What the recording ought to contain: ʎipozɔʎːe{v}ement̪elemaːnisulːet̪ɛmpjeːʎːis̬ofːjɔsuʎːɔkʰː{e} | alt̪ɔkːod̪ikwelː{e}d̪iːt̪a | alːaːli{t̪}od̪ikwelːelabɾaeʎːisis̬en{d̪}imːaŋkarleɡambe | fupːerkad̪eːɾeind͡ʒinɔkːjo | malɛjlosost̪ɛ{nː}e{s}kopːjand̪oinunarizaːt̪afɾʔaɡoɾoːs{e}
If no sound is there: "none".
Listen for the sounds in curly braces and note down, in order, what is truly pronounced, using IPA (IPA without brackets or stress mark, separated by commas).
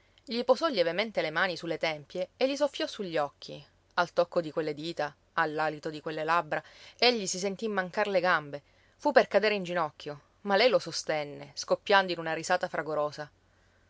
v, i, e, t̪, t̪, nː, s, a